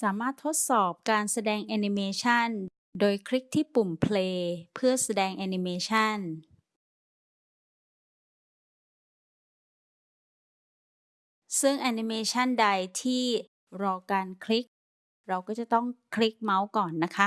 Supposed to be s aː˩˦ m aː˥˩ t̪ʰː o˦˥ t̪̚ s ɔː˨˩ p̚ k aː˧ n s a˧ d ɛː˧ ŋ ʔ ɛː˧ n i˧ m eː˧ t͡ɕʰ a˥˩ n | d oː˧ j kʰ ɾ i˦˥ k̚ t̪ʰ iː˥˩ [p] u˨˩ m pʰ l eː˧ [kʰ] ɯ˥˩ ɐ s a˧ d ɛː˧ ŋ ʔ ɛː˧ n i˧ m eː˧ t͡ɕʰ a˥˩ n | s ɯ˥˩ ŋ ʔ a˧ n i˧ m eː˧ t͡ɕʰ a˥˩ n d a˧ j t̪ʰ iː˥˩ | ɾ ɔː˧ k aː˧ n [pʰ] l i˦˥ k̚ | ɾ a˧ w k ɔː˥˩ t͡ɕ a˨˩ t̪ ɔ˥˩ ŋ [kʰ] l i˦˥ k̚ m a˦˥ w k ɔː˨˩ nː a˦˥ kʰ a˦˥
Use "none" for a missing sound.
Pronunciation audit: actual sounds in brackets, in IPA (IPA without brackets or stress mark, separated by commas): p, pʰ, kʰ, kʰ